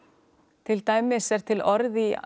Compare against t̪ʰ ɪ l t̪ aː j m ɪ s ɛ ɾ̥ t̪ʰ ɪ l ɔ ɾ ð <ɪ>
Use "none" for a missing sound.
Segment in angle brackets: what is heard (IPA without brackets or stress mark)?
i